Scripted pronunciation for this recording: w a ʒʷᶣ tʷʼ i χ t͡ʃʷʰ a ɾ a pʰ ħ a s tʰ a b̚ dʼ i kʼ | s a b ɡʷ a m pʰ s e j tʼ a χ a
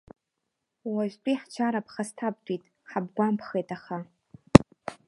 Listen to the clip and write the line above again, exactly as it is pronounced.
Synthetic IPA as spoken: w a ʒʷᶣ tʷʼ i ħ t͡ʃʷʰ a ɾ a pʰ χ a s tʰ a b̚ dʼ i tʼ | ħ a b ɡʷ a m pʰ χ e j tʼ a χ a